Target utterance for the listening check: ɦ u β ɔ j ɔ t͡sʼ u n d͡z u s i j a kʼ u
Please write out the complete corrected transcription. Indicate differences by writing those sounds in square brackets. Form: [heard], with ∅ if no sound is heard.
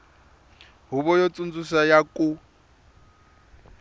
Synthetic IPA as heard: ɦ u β ɔ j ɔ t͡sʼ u n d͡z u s [a] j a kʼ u

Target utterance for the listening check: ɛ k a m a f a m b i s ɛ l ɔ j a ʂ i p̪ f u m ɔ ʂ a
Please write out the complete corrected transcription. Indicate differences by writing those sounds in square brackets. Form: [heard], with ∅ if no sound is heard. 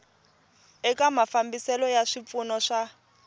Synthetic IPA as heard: ɛ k a m a f a m b i s ɛ l ɔ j a ʂ i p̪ f u [n] ɔ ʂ a

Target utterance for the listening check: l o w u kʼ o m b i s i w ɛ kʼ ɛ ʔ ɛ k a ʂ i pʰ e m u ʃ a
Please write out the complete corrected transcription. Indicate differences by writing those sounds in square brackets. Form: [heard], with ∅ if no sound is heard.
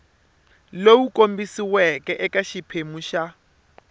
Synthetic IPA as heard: l o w u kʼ o m b i s i w ɛ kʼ ɛ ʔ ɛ k a [ʃ] i pʰ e m u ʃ a

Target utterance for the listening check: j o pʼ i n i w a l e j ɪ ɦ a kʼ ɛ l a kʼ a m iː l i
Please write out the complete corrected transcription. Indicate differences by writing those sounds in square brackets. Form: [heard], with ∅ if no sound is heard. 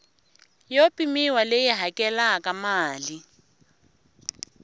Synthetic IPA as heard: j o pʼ i [m] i w a l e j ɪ ɦ a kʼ ɛ l a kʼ a m [aː] l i

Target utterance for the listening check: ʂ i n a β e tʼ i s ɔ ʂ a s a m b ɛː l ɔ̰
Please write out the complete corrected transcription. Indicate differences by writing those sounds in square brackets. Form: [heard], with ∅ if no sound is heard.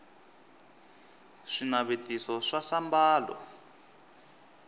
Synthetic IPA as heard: ʂ i n a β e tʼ i s ɔ ʂ a s a m b [aː] l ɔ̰

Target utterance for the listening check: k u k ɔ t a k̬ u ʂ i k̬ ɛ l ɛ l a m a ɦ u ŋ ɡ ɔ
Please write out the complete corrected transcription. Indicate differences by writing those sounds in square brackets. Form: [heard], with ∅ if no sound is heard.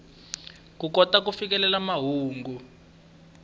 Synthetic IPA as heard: k u k ɔ t a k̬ u [f] i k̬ ɛ l ɛ l a m a ɦ [uː] ŋ ɡ [u]

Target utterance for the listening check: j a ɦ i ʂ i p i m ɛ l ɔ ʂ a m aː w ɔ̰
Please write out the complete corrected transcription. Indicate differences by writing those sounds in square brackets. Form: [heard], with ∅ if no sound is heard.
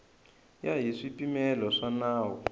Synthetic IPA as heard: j a ɦ i ʂ i p i m ɛ l ɔ ʂ a [n] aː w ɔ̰

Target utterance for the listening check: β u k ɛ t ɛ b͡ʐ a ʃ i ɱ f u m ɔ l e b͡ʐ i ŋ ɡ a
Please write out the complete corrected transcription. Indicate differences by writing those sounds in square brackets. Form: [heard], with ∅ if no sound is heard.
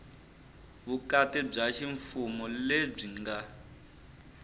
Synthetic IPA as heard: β u k [a] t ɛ b͡ʐ a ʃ i ɱ f u m ɔ l e b͡ʐ i ŋ ɡ a

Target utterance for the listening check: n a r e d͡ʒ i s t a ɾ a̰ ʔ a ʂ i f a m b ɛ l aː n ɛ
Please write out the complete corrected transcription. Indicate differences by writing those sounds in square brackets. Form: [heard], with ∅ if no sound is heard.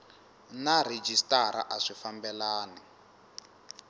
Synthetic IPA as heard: n a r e d͡ʒ i s t a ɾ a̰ ʔ a ʂ i f a m b ɛ l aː n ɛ

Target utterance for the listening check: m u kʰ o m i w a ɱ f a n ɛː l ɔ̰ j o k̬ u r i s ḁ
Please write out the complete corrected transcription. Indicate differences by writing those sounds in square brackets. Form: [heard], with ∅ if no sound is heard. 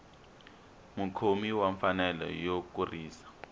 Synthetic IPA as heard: m u kʰ o m i w a ɱ f a n [ɛ] l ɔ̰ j o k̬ u r [iː] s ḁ

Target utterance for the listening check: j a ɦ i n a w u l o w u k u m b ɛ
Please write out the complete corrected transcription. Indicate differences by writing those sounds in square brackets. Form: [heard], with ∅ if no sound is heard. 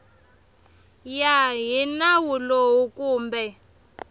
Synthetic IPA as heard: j a ɦ i n a w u l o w u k [uː] m b ɛ

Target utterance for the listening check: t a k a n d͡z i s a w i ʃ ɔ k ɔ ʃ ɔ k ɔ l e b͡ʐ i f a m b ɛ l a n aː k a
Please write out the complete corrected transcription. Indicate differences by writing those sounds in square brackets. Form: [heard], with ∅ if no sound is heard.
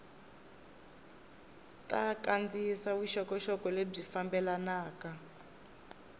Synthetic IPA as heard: t a k a n d͡z i s a w i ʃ ɔ k ɔ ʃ ɔ k ɔ l e b͡ʐ i f a m b ɛ l a n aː k a

